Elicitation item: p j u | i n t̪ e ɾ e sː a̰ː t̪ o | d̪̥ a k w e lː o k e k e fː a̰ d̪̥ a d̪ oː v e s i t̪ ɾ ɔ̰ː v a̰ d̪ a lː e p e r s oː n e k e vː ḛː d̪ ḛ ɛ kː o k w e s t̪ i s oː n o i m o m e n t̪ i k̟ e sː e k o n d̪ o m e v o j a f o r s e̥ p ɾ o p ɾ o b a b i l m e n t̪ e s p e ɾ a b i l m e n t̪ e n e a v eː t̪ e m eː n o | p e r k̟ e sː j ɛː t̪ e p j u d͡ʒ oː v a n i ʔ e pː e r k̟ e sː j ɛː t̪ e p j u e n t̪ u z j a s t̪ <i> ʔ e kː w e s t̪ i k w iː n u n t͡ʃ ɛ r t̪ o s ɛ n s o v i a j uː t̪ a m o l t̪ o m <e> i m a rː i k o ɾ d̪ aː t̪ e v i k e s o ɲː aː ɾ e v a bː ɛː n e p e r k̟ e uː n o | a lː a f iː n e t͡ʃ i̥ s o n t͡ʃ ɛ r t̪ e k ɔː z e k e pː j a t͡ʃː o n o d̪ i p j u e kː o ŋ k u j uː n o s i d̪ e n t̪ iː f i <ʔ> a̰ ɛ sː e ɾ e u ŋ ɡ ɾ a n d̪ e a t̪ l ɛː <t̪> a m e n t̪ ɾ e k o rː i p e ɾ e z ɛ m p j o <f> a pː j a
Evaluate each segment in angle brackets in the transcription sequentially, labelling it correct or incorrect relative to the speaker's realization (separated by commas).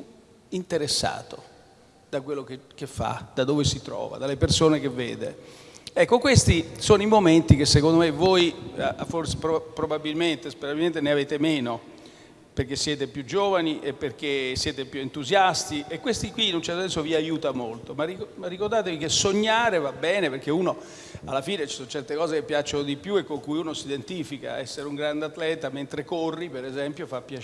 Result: correct, incorrect, incorrect, correct, correct